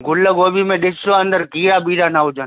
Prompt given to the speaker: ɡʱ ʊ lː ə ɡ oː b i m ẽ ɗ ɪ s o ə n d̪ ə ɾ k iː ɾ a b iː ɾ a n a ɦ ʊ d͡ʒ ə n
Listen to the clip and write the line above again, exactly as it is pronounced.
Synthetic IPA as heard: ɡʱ ʊ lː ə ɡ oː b i m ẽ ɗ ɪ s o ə n d̪ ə ɾ k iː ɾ a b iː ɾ a n a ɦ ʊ d͡ʒ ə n